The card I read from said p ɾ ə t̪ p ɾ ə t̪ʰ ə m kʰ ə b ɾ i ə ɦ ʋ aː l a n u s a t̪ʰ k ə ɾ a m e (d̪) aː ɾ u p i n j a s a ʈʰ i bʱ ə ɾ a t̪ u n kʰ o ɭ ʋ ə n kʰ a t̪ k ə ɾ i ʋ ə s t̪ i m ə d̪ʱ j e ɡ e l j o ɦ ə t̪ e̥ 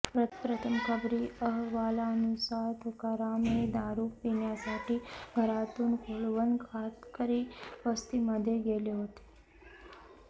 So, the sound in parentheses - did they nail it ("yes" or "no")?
yes